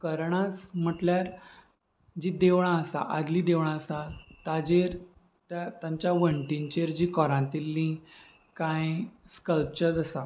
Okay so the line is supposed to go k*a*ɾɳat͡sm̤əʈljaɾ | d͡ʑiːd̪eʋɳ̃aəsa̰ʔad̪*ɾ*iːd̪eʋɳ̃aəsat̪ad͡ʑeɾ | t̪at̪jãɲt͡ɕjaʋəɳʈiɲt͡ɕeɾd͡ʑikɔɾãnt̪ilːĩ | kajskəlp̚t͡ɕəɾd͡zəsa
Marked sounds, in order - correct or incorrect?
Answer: incorrect: ə, incorrect: l

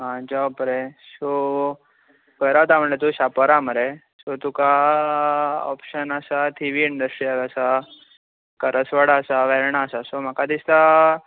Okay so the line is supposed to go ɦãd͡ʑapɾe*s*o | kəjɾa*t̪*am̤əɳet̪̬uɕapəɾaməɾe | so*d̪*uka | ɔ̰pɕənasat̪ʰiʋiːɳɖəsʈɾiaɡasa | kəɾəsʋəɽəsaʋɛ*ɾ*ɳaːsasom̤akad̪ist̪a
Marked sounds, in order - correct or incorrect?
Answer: correct, correct, incorrect: t̪, correct

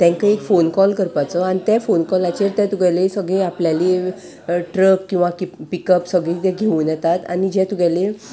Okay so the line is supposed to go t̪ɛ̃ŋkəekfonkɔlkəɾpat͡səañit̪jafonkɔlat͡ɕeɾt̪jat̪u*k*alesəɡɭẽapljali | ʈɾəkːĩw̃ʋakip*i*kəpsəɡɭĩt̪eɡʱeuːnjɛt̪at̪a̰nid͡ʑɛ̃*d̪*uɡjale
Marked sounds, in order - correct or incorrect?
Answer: incorrect: ɡ, correct, incorrect: t̪

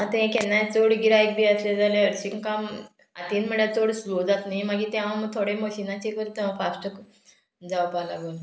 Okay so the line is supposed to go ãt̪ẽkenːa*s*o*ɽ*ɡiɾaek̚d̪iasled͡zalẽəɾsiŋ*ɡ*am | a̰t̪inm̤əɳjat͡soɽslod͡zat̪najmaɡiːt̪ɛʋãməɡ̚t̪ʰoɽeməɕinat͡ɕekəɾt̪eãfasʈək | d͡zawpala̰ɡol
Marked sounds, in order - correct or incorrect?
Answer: incorrect: t͡s, correct, incorrect: k

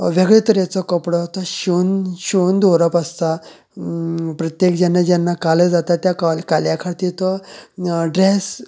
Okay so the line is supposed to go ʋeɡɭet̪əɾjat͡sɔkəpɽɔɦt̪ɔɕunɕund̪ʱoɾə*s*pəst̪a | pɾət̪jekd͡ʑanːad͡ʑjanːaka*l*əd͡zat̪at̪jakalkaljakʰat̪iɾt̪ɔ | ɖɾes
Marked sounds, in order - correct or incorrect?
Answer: incorrect: none, correct

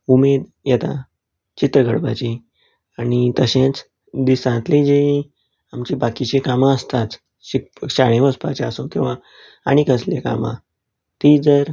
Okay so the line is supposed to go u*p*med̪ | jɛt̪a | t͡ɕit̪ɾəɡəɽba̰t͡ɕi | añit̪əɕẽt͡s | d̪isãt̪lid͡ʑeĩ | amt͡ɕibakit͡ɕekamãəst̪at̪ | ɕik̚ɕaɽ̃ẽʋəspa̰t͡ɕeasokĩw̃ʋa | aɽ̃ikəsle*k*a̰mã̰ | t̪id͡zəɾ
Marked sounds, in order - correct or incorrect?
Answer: incorrect: none, correct

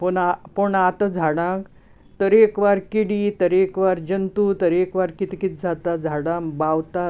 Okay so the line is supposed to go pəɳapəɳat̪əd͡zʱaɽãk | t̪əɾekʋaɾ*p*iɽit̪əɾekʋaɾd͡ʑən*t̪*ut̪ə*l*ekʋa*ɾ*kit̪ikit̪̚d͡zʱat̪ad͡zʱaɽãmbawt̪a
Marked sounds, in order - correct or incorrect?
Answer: incorrect: k, correct, incorrect: ɾ, correct

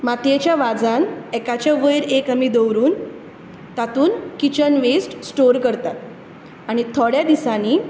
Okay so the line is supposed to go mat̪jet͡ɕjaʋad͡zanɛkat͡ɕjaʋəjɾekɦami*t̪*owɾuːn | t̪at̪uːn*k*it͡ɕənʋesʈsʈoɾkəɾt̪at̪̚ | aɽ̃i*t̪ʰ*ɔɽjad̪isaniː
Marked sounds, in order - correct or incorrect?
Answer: incorrect: d̪, correct, correct

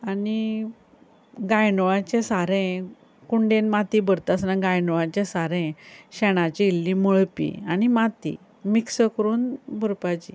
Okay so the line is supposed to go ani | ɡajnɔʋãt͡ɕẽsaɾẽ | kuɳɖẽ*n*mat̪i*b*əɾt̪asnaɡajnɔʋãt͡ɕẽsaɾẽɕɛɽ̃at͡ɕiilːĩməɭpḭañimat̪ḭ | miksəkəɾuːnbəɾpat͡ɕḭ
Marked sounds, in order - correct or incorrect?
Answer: correct, correct

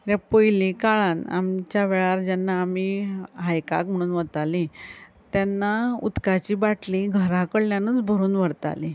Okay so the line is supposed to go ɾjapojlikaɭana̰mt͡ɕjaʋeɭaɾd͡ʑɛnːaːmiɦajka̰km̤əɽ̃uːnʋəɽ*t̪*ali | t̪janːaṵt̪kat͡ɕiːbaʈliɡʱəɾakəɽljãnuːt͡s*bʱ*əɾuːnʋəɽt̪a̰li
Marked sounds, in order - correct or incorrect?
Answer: correct, correct

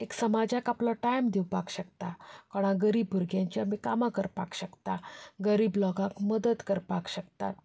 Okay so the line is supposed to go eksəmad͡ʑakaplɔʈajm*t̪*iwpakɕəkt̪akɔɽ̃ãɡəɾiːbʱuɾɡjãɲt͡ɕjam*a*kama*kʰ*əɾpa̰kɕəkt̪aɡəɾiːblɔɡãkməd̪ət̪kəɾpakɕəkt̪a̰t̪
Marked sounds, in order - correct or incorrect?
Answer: incorrect: d̪, incorrect: i, incorrect: k

